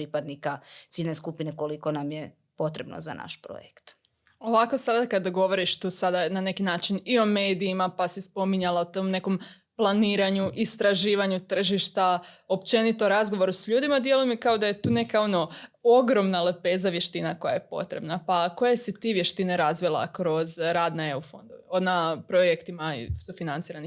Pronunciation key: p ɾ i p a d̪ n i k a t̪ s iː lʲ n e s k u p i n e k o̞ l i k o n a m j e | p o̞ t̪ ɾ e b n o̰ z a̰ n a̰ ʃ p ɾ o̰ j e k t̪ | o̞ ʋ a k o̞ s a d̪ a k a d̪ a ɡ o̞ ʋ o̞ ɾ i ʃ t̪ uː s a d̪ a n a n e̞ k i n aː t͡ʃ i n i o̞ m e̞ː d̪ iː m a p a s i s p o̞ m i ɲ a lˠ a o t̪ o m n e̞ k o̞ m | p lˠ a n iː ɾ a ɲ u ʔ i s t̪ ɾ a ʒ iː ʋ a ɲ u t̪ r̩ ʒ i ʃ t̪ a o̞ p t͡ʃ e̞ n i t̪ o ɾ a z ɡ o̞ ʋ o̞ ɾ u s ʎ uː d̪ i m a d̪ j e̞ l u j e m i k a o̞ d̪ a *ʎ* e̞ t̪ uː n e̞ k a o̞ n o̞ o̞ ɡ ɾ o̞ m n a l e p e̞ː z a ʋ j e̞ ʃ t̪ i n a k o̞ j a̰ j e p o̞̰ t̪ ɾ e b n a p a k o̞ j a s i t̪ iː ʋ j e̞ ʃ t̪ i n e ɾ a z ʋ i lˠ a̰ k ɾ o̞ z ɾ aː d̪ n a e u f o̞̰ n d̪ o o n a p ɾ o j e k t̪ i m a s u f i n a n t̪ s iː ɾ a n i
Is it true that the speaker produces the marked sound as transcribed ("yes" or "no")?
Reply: no